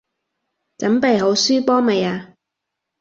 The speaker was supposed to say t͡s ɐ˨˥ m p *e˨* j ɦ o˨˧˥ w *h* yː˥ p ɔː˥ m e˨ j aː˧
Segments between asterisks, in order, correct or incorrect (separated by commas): correct, incorrect